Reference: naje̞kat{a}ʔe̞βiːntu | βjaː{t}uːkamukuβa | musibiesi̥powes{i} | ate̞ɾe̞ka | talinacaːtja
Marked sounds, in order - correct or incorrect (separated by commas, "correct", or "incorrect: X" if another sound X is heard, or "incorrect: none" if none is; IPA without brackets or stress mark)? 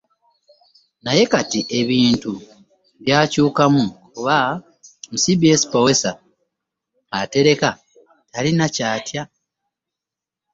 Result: incorrect: i, incorrect: c, incorrect: a